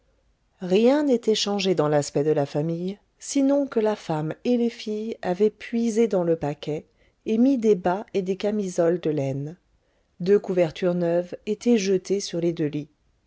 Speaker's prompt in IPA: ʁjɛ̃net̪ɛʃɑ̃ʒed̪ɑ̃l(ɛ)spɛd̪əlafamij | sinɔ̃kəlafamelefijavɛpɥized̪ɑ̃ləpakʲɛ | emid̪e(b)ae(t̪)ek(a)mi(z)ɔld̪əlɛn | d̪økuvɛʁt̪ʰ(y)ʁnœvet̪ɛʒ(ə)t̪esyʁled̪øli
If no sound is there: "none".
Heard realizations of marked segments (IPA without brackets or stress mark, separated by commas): a, b, d̪, a, z, y, ə